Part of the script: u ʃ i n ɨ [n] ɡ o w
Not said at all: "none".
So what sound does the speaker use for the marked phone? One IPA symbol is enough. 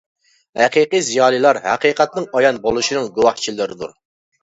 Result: ŋ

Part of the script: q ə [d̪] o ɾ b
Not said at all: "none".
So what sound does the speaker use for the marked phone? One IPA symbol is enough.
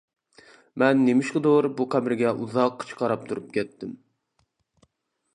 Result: d̪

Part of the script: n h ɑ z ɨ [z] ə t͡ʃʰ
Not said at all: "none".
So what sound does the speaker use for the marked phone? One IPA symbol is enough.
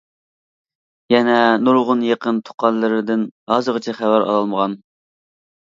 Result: ʁ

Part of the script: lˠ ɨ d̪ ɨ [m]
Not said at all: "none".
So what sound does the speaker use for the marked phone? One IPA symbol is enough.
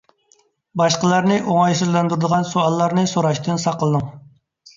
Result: ŋ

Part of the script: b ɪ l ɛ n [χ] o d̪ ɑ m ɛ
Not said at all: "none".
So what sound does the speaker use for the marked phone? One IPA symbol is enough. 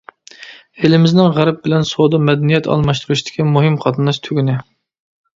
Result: s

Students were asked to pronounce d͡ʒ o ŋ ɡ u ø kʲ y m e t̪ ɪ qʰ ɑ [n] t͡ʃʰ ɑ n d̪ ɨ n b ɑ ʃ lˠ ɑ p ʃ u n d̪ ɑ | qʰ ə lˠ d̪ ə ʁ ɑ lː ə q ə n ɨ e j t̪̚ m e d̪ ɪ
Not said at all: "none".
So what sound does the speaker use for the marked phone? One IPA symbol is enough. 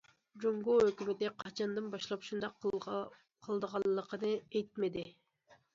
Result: none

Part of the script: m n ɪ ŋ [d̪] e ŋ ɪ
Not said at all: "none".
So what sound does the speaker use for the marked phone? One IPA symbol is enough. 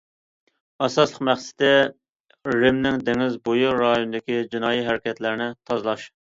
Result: d̪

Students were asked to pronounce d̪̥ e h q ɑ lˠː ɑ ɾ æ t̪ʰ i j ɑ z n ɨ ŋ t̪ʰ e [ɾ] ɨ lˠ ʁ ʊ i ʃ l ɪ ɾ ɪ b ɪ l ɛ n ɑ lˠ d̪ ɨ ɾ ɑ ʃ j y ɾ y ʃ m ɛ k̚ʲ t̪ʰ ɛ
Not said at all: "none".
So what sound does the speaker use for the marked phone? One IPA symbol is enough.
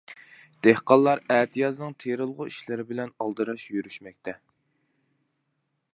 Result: ɾ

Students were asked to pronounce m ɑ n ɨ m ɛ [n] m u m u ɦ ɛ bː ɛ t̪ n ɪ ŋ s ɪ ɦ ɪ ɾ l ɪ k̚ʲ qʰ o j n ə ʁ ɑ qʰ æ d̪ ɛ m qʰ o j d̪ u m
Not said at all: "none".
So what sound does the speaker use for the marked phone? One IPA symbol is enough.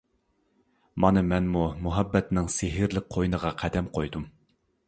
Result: n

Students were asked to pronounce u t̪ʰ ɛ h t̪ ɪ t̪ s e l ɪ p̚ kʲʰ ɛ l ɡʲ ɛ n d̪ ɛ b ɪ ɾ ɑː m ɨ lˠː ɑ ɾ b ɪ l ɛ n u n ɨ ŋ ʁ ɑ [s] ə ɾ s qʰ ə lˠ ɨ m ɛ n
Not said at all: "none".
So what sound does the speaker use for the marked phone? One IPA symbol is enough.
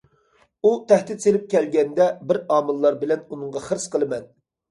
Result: χ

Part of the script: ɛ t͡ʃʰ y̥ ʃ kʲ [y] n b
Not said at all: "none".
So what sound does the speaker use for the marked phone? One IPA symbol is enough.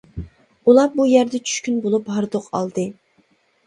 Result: y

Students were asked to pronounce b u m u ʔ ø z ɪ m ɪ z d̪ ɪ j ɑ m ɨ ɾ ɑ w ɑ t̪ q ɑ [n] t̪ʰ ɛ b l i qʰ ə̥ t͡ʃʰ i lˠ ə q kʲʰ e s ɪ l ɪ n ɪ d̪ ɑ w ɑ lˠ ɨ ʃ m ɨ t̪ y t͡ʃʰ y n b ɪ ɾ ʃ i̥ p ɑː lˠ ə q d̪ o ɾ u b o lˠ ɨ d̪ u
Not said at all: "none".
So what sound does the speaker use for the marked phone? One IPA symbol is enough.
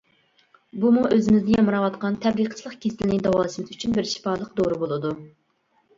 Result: n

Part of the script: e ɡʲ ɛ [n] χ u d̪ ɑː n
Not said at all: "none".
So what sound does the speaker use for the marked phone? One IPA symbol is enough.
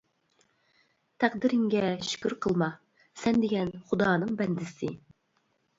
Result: n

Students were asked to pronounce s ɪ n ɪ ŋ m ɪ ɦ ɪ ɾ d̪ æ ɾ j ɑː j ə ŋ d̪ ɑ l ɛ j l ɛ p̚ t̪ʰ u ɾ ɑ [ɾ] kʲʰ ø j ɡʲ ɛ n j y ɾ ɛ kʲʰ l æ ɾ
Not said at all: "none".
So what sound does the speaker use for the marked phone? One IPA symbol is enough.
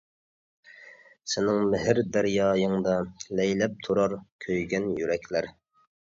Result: ɾ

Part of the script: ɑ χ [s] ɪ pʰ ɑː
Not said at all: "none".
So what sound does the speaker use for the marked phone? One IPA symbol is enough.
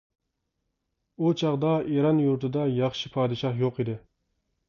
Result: ʃ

